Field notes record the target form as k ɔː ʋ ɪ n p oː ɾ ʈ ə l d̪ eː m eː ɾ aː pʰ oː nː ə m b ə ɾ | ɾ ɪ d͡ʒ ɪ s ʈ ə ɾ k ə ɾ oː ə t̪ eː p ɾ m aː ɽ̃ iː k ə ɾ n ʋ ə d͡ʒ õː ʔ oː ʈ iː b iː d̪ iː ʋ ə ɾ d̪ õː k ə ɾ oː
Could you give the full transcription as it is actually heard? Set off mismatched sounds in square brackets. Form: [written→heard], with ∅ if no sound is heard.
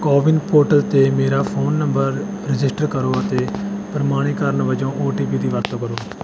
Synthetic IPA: k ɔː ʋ ɪ n p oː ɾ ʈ ə l [d̪→t̪] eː m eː ɾ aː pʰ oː nː ə m b ə ɾ | ɾ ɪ d͡ʒ ɪ s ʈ ə ɾ k ə ɾ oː ə t̪ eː p ɾ m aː ɽ̃ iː k ə ɾ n ʋ ə d͡ʒ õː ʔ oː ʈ iː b iː d̪ iː ʋ ə ɾ [d̪→t̪] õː k ə ɾ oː